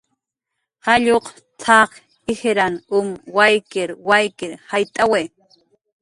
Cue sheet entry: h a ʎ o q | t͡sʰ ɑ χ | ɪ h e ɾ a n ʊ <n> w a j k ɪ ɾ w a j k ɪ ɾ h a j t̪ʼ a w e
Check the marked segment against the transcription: incorrect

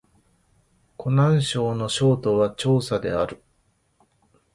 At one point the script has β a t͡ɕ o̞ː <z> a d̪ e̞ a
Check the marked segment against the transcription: incorrect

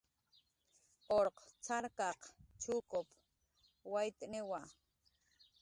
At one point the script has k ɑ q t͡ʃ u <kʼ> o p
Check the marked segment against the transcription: incorrect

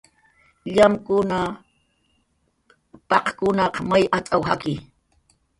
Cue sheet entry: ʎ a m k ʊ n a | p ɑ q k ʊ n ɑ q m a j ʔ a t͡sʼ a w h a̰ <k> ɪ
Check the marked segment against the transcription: correct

